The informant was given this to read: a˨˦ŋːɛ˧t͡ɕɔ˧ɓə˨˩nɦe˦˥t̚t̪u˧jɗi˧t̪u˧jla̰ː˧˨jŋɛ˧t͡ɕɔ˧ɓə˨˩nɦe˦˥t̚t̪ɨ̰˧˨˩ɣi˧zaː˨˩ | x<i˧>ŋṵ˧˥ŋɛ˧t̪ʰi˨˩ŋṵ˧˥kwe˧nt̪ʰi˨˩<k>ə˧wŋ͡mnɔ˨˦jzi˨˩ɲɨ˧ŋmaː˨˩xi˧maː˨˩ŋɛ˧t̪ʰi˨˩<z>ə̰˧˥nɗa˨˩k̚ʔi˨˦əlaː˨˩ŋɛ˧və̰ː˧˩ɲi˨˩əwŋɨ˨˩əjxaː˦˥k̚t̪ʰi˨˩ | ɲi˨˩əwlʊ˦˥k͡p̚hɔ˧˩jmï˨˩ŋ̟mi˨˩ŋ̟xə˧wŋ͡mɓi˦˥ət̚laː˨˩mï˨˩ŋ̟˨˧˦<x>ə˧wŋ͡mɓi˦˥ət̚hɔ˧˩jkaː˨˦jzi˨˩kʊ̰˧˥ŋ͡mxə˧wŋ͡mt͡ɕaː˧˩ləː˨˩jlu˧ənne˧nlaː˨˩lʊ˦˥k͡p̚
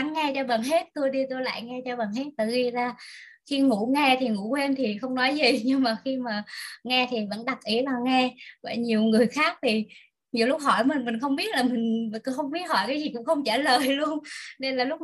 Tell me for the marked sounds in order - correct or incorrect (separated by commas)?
correct, incorrect, incorrect, correct